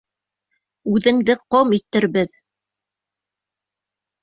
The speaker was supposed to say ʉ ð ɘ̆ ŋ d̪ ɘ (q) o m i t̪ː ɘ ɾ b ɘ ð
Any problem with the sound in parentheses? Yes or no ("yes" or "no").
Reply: no